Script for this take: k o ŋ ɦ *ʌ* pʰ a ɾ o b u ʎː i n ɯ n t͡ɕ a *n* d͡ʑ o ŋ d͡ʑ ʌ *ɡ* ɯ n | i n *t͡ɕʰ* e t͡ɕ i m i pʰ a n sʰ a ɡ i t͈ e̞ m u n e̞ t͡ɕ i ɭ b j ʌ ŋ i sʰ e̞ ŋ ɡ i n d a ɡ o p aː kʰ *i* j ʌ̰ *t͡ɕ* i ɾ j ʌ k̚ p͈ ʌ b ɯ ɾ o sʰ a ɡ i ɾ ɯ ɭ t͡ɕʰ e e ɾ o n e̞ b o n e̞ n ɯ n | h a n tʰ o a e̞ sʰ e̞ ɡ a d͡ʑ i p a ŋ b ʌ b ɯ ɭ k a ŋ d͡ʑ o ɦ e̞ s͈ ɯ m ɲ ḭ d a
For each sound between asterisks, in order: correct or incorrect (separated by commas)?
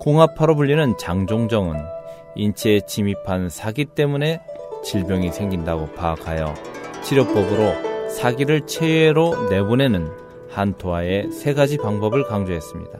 incorrect, incorrect, incorrect, correct, incorrect, incorrect